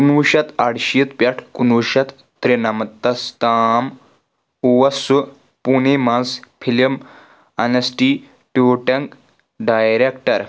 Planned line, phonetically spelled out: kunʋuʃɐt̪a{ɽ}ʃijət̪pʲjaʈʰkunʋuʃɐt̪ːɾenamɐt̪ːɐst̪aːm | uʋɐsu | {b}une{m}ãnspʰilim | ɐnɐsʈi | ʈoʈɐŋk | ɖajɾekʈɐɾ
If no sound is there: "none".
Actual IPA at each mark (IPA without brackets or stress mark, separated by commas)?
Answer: ɽ, p, m